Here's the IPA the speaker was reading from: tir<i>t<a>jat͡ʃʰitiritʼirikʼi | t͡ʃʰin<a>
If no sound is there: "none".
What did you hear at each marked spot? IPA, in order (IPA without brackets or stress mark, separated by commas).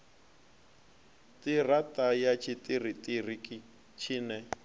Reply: a, a, ɛ